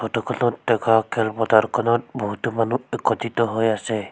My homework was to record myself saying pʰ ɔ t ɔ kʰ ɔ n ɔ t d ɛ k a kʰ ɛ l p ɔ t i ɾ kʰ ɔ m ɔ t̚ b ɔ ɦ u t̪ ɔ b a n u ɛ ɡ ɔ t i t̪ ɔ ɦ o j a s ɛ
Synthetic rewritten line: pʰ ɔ t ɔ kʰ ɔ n ɔ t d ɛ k a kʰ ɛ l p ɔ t a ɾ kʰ ɔ n ɔ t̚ b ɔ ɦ u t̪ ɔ m a n u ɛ k ɔ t i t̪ ɔ ɦ o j a s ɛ